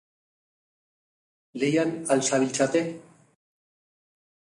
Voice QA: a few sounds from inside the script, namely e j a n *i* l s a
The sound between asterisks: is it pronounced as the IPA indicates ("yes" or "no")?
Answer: no